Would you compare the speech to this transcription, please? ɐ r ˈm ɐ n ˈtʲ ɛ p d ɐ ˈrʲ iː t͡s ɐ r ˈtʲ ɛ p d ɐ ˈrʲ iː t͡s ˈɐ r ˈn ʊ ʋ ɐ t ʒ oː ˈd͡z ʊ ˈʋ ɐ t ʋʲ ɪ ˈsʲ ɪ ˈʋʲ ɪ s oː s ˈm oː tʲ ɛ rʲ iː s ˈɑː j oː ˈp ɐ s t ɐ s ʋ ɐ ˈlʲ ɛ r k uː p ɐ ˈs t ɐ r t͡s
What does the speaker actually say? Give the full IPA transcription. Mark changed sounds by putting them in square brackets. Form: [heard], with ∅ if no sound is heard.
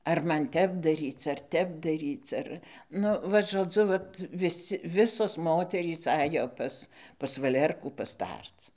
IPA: ɐ r ˈm ɐ n ˈtʲ ɛ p d ɐ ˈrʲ iː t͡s ɐ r ˈtʲ ɛ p d ɐ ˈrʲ iː t͡s ˈɐ r ˈn ʊ ʋ ɐ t ʒ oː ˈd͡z ʊ ˈʋ ɐ t ʋʲ ɪ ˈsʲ ɪ ˈʋʲ ɪ s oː s ˈm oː tʲ ɛ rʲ iː s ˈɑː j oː ˈp ɐ s [p] ɐ s ʋ ɐ ˈlʲ ɛ r k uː p ɐ ˈs t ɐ r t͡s